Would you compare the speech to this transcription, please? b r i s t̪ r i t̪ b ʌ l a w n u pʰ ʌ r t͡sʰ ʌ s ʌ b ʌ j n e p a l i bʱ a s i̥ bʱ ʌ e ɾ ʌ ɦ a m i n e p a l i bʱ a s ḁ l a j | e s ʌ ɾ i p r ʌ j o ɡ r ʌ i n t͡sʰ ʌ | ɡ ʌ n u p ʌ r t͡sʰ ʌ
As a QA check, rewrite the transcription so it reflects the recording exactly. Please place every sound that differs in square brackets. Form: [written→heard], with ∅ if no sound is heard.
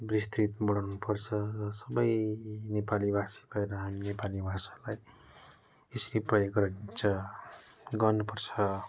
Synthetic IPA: b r i s t̪ r i t̪ b ʌ [l→ɽ] a w n u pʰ ʌ r t͡sʰ ʌ s ʌ b ʌ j n e p a l i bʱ a s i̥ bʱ ʌ e ɾ ʌ ɦ a m i n e p a l i bʱ a s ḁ l a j | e s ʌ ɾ i p r ʌ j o ɡ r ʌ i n t͡sʰ ʌ | ɡ ʌ n u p ʌ r t͡sʰ ʌ